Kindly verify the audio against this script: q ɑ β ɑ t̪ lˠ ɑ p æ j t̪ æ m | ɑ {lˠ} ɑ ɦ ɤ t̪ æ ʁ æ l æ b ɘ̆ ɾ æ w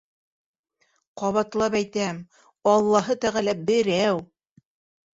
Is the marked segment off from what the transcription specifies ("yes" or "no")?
yes